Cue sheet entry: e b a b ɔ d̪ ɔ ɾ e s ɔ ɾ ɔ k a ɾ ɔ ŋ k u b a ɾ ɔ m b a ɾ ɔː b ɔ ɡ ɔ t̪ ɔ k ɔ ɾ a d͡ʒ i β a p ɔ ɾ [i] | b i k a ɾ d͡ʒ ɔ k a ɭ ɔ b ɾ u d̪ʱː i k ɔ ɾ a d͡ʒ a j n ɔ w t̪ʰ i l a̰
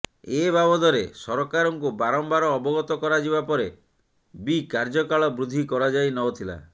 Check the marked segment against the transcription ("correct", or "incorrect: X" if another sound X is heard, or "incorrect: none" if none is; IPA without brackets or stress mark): incorrect: e